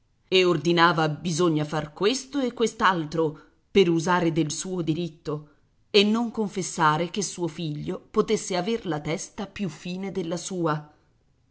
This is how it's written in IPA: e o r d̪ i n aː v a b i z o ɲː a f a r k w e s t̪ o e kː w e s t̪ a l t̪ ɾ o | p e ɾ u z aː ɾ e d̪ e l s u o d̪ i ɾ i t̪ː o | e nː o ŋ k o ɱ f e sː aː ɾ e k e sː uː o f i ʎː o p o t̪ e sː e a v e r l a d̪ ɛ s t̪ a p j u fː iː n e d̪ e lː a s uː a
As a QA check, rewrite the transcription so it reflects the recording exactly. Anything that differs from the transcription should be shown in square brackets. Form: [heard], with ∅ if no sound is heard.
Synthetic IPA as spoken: e o r d̪ i n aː v a b i z o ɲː a f a r k w e s t̪ o e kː w e s t̪ a l t̪ ɾ o | p e ɾ u z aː ɾ e d̪ e l s [uː] o d̪ i ɾ i t̪ː o | e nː o ŋ k o ɱ f e sː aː ɾ e k e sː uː o f i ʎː o p o t̪ e sː e a v e r l a [t̪] ɛ s t̪ a p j u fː iː n e d̪ e lː a s uː a

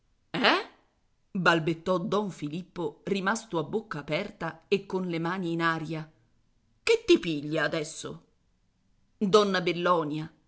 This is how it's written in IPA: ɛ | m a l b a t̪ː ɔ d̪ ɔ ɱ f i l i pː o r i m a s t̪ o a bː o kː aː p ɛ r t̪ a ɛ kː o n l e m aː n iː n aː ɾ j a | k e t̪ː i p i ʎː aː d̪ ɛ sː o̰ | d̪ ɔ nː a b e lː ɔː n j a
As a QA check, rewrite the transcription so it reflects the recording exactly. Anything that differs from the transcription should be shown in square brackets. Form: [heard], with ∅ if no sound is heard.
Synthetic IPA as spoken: ɛ | [b] a l b [e] t̪ː ɔ d̪ ɔ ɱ f i l i pː o r i m a s t̪ o a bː o kː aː p ɛ r t̪ a [e] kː o n l e m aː n iː n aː ɾ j a | k e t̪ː i p i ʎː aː d̪ ɛ sː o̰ | d̪ ɔ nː a b e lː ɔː n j a

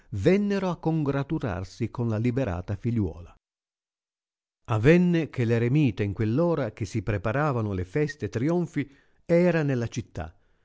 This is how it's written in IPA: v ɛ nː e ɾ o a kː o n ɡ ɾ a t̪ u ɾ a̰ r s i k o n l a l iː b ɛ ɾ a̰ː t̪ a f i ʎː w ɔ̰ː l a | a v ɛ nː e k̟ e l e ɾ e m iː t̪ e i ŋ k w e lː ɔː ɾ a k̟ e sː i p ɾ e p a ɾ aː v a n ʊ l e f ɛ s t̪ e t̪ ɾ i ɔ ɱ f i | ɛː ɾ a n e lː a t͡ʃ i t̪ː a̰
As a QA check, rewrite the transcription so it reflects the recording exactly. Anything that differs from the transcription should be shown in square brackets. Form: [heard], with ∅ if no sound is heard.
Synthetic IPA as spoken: v ɛ nː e ɾ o a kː o [ŋ] ɡ ɾ a t̪ u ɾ a̰ r s i k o n l a l [i] b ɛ ɾ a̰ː t̪ a f i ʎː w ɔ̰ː l a | a v ɛ nː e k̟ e l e ɾ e m iː t̪ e i ŋ k w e lː ɔː ɾ a k̟ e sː i p ɾ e p a ɾ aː v a n ʊ l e f ɛ s t̪ e t̪ ɾ i ɔ ɱ f i | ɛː ɾ a n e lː a t͡ʃ i t̪ː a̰

